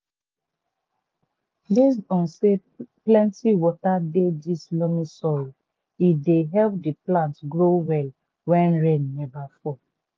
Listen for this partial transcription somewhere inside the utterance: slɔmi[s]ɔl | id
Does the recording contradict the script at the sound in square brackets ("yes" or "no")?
no